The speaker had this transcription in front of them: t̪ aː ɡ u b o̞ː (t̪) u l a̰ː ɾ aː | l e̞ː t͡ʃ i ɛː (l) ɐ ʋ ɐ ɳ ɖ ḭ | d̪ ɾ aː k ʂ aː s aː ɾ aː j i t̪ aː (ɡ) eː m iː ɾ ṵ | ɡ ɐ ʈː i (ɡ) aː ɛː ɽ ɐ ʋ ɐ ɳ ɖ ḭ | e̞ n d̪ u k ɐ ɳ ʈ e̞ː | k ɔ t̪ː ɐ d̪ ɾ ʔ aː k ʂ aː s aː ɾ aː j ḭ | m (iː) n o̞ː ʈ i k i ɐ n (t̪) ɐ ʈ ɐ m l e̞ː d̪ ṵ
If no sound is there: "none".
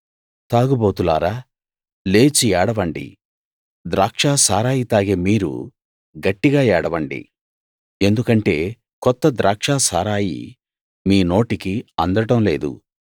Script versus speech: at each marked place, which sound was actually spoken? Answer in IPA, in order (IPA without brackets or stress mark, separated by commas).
t̪, ɽ, ɡ, ɡ, iː, d̪